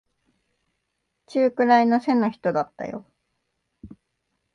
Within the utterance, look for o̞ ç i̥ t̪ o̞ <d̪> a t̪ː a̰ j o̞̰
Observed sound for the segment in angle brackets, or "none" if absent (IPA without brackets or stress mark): d̪